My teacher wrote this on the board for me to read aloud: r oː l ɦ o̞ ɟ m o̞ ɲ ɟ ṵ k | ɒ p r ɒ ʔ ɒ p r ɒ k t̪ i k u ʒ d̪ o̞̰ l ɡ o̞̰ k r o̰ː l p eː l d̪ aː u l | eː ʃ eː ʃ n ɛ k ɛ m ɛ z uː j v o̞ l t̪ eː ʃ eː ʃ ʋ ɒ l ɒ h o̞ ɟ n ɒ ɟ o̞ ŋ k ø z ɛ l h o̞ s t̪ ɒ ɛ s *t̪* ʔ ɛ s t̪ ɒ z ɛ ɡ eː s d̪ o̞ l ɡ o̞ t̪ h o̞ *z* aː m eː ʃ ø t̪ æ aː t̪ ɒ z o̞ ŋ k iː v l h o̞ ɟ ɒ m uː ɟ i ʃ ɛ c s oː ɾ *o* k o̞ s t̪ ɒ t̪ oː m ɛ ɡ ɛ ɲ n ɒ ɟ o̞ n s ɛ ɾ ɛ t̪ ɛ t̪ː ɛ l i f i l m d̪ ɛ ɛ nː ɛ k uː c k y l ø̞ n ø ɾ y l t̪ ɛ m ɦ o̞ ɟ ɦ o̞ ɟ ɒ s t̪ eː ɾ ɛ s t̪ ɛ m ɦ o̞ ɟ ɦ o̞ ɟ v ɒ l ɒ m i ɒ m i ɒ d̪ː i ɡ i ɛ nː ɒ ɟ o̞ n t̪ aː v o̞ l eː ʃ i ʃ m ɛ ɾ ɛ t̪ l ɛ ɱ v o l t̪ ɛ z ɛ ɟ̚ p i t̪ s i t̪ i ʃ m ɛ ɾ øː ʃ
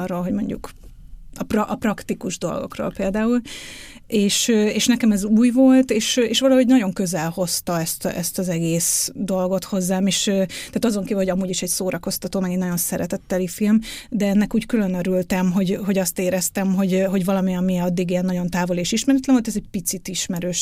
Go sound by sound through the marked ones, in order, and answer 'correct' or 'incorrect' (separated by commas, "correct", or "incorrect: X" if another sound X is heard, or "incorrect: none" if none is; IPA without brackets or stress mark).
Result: correct, incorrect: zː, incorrect: ɒ